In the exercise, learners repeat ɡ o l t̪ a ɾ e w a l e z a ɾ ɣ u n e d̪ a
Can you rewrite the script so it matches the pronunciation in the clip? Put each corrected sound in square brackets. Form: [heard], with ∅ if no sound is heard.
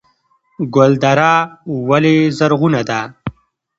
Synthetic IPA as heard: ɡ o l [d̪] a ɾ [a] w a l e z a ɾ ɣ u n [a] d̪ a

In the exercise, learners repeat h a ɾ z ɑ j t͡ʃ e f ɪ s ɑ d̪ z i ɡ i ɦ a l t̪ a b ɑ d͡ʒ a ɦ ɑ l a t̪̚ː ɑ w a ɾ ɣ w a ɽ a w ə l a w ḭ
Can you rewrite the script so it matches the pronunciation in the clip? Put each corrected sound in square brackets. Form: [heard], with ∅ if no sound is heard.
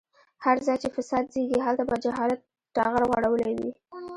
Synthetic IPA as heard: h a ɾ z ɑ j t͡ʃ e f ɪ s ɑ d̪ z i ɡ i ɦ a l t̪ a b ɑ d͡ʒ a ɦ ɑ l a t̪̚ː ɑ [ɣ] a ɾ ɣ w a ɽ a w ə l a w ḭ

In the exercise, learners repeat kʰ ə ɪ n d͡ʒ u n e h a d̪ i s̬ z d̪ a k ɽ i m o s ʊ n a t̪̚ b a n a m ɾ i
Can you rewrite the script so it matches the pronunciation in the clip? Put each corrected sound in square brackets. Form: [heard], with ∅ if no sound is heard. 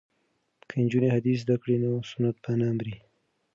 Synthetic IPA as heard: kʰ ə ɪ n d͡ʒ u n e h a d̪ i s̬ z d̪ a k ɽ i [n] o s ʊ n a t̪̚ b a n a m ɾ i

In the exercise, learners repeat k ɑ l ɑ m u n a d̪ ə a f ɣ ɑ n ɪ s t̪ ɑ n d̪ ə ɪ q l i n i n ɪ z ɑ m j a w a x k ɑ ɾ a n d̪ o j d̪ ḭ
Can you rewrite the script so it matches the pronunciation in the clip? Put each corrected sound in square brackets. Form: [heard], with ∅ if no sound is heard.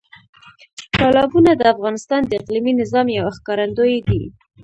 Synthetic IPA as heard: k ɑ l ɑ [b] u n a d̪ ə a f ɣ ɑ n ɪ s t̪ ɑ n d̪ ə ɪ q l i [m] i n ɪ z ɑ m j a w a x k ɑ ɾ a n d̪ o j d̪ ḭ

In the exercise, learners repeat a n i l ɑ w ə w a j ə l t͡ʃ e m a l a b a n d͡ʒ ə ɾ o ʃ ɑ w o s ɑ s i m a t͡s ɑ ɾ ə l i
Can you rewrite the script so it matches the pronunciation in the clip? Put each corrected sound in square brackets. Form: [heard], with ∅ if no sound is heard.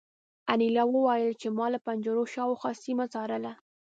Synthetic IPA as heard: a n i l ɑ w ə w a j ə l t͡ʃ e m [ɑ] l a [p] a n d͡ʒ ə ɾ o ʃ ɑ w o [x] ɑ s i m a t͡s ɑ ɾ ə l [a]

